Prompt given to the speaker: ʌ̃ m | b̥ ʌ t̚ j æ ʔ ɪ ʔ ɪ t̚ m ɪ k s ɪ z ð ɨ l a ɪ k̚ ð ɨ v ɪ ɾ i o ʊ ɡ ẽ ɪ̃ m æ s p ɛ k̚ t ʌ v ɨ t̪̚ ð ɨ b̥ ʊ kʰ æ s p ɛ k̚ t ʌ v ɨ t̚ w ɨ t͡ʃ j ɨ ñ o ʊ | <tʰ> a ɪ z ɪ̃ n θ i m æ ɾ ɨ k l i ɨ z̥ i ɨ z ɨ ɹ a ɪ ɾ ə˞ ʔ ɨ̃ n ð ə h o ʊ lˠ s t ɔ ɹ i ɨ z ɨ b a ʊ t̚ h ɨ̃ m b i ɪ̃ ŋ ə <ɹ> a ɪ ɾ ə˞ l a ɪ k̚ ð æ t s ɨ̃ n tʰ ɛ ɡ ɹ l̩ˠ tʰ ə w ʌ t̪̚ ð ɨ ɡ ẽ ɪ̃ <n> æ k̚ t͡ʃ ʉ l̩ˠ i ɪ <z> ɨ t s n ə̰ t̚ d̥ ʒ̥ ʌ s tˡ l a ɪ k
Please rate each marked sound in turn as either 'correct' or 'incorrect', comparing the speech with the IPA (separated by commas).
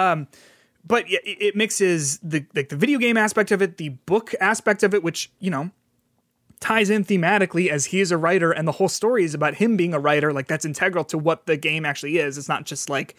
correct, correct, incorrect, correct